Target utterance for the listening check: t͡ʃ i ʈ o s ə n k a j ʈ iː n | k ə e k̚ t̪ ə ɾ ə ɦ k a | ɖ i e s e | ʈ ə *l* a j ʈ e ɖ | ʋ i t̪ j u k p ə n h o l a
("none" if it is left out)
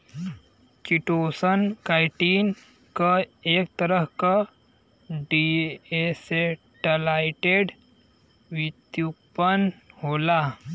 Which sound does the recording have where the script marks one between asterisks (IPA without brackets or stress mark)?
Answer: l